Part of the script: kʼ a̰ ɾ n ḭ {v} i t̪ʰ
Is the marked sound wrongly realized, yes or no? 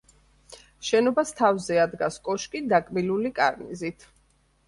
yes